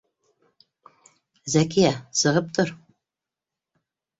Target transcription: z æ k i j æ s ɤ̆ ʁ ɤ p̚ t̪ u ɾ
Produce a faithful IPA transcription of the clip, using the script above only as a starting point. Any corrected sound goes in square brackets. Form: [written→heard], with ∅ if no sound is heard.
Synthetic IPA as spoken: z æ k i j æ s ɤ̆ ʁ ɤ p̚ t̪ [u→o] ɾ